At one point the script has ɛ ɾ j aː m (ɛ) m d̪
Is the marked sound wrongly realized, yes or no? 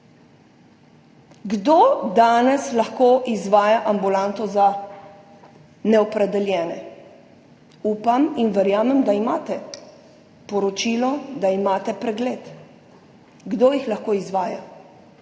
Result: no